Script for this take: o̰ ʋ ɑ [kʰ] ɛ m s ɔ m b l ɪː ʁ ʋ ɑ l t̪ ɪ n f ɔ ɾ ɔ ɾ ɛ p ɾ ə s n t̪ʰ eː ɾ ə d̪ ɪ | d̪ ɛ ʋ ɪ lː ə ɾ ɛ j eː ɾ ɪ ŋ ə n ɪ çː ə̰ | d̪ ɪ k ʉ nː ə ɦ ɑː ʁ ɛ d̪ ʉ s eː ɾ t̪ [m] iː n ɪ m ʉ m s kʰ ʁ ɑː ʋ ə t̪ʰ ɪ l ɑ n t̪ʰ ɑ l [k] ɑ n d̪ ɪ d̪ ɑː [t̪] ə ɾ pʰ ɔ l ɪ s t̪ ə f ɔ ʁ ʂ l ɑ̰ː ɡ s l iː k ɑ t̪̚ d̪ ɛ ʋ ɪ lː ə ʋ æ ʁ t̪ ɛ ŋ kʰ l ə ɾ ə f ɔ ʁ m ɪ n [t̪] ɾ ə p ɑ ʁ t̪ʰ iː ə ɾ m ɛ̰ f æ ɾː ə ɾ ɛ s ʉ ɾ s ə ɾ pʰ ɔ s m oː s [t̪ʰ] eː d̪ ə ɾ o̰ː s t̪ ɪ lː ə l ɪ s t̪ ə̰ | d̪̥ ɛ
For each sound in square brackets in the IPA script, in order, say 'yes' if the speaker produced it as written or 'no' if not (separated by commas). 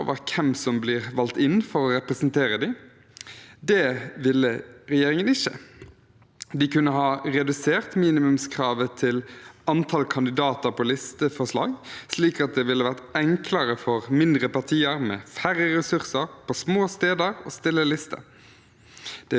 yes, yes, no, yes, no, no